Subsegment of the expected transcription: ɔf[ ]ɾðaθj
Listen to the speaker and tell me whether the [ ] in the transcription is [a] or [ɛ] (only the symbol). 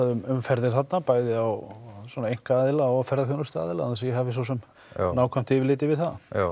ɛ